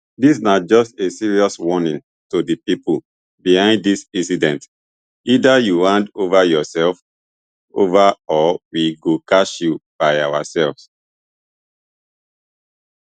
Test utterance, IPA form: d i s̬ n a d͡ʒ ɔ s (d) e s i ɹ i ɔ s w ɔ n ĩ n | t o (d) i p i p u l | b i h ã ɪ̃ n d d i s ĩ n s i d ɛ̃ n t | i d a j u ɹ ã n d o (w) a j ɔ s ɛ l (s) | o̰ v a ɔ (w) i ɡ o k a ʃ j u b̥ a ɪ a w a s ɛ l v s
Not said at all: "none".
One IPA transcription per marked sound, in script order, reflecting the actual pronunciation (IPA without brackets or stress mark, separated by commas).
t, d, v, f, w